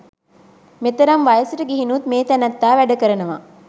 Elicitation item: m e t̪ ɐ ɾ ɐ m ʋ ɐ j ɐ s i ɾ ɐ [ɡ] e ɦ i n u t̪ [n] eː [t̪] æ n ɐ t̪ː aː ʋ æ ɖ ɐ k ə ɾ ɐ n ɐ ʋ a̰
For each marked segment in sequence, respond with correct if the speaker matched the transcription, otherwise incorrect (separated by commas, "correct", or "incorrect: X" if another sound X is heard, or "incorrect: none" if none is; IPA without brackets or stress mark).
correct, incorrect: m, correct